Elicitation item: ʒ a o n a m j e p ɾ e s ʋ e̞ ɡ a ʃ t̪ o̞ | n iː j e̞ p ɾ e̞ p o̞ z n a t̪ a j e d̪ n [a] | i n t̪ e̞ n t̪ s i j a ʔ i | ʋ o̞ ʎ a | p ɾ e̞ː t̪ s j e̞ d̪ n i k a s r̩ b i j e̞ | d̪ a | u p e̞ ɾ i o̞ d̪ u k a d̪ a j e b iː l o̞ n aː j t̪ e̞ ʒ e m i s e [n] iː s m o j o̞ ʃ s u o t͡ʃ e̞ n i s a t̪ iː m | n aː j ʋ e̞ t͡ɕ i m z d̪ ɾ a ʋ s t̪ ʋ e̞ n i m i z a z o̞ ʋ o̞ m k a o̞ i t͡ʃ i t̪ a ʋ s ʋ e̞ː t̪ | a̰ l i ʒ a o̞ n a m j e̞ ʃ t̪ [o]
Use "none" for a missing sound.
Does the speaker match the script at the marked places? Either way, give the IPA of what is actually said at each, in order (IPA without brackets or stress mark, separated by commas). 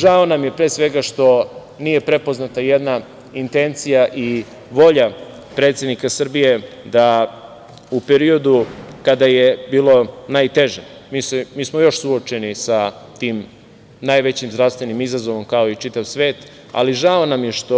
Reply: a, m, o